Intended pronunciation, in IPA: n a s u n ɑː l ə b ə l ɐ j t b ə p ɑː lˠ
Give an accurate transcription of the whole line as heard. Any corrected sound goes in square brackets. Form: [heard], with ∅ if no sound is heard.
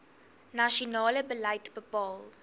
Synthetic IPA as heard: n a [ʃ] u n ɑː l ə b ə l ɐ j t b ə p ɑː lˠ